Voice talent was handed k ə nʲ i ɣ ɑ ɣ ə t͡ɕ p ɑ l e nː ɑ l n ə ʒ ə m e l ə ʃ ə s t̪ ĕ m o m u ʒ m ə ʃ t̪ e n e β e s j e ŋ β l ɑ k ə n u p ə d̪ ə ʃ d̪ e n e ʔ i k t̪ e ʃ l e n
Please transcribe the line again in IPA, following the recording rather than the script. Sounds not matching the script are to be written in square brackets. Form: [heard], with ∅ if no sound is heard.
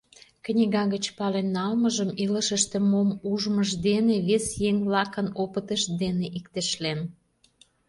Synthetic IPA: k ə nʲ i ɣ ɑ ɣ ə t͡ɕ p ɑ l e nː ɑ l [m] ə ʒ ə m [i] l ə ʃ ə [ʃ] t̪ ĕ m o m u ʒ m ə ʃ [d̪] e n e β e s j e ŋ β l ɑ k ə n [o] p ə [t̪] ə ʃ d̪ e n e ʔ i k t̪ e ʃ l e n